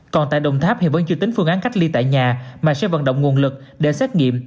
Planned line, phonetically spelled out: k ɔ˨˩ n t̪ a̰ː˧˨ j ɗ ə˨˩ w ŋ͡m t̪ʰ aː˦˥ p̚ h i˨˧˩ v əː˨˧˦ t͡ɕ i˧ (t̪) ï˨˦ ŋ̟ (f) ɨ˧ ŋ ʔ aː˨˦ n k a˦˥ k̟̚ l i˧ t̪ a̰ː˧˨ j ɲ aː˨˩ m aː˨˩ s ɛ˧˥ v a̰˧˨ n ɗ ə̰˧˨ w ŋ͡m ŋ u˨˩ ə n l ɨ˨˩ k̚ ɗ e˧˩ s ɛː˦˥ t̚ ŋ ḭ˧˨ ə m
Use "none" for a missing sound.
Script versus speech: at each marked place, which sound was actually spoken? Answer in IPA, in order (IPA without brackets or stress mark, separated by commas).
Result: t̪, f